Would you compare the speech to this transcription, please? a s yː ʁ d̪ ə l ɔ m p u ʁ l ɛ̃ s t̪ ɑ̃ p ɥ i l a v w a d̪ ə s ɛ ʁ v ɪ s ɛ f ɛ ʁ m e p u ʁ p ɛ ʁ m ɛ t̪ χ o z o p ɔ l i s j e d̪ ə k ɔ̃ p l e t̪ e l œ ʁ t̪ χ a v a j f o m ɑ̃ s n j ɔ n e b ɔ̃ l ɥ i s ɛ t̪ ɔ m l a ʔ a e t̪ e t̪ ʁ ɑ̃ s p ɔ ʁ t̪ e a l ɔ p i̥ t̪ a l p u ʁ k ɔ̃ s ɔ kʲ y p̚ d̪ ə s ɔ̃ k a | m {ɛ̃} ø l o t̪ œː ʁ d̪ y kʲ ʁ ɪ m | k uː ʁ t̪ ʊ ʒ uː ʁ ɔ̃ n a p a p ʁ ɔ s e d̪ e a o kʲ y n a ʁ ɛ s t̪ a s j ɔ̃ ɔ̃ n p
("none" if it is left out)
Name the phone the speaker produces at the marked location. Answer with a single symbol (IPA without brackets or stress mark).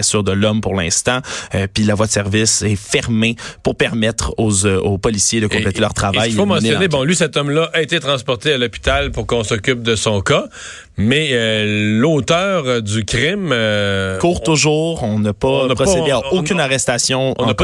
ɛ